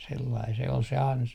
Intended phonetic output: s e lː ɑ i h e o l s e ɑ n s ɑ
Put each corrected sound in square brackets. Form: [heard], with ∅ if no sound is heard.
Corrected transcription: s e lː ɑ i [s] e o l s e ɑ n s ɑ